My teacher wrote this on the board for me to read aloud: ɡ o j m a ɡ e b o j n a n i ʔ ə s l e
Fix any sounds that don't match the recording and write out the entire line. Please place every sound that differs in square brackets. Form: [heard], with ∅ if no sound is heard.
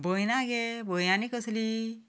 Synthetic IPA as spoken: [b] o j [n] a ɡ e b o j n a n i [k] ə s l [i]